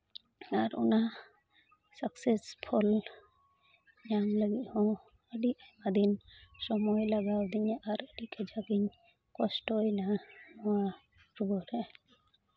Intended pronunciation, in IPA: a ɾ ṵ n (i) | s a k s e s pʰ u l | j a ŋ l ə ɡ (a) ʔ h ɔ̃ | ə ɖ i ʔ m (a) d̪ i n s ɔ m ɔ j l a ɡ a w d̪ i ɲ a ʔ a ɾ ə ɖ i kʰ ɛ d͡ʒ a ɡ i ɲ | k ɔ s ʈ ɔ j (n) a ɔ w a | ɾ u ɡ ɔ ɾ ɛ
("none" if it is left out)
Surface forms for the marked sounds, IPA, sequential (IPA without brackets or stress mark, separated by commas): a, i, a, n